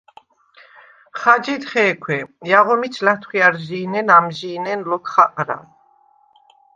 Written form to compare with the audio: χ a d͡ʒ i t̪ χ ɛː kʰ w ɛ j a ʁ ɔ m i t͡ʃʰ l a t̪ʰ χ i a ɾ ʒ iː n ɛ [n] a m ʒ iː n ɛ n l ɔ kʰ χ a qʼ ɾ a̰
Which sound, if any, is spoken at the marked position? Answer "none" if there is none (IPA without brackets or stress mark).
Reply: n